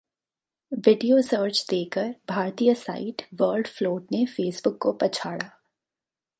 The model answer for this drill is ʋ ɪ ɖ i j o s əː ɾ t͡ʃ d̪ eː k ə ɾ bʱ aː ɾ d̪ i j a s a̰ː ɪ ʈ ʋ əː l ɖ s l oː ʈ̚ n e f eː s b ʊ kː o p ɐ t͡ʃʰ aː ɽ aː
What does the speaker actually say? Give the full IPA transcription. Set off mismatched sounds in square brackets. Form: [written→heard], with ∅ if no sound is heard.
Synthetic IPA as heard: ʋ ɪ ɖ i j o s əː ɾ t͡ʃ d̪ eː k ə ɾ bʱ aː ɾ [d̪→t̪] i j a s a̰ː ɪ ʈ ʋ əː l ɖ [s→f] l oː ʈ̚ n e f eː s b ʊ kː o p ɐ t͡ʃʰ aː ɽ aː